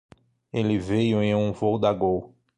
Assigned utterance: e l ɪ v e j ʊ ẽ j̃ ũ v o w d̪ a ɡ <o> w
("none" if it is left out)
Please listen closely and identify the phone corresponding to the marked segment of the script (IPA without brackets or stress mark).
o